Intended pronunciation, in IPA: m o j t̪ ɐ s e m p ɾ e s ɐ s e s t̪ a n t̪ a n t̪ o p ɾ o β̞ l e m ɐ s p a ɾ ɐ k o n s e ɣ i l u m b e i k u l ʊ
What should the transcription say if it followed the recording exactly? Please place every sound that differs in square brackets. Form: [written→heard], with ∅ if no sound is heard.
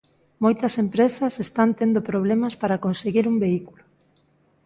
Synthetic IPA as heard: m o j t̪ ɐ s e m p ɾ e s ɐ s e s t̪ a n t̪ [a→e] n [t̪→d̪] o p ɾ o β̞ l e m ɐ s p a ɾ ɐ k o n s e ɣ i [l→ɾ] u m b e i k u l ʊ